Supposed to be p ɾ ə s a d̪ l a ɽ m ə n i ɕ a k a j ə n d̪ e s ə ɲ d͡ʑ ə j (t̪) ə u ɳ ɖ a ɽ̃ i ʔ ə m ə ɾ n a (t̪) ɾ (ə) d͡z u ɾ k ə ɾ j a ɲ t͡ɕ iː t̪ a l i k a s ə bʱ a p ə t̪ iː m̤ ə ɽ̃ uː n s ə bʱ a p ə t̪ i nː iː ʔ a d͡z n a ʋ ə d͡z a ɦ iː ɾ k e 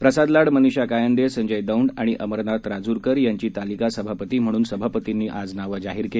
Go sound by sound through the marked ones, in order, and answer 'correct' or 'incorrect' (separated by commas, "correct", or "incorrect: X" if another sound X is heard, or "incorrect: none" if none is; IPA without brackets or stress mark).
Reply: incorrect: d̪, correct, incorrect: a